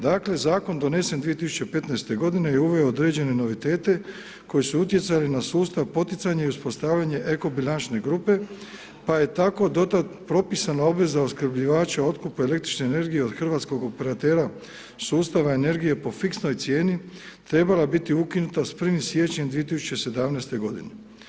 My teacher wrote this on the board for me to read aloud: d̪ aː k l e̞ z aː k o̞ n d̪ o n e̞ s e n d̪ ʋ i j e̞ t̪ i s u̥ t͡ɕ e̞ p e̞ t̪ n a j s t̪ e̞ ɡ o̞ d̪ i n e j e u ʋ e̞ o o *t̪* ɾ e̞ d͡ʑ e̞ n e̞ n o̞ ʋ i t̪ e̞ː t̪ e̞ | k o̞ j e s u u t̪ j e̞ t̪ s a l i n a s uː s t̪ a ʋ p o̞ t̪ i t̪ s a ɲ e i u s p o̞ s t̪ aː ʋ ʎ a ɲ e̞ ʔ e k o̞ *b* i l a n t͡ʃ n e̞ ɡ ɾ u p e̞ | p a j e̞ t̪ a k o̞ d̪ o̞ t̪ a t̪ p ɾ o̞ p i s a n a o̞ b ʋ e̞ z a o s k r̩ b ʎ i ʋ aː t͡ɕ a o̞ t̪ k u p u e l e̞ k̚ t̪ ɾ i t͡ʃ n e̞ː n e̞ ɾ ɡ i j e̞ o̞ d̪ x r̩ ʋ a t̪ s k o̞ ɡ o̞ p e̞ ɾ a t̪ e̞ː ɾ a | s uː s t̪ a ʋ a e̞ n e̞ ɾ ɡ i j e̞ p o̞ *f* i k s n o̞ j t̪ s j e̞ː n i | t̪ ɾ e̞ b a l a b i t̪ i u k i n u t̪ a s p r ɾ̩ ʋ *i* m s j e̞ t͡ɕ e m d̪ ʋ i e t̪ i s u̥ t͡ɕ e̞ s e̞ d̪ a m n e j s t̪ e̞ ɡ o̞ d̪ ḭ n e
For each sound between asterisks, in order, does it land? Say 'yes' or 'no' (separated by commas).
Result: no, yes, yes, yes